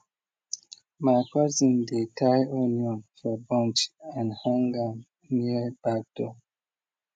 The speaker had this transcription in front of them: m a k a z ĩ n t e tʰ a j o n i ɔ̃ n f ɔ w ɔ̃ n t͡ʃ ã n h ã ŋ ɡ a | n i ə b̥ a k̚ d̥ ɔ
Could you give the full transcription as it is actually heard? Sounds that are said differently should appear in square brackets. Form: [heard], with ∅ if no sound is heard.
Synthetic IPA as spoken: m a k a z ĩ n [d] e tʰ a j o n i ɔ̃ n f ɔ [b] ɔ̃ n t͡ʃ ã n h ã ŋ ɡ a | n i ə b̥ a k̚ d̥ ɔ